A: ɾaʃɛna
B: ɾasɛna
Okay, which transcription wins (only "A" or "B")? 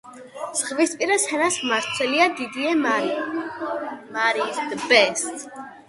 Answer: B